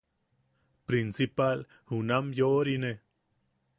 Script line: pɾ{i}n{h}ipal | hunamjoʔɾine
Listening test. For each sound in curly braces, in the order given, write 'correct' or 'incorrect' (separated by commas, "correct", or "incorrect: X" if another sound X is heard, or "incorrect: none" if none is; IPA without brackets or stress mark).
correct, incorrect: s